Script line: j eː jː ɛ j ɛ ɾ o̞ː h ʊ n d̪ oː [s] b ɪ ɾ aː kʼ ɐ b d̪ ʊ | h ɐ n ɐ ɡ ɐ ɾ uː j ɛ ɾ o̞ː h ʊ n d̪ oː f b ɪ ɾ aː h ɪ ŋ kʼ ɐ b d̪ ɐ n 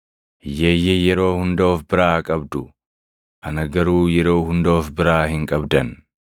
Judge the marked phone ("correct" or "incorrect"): incorrect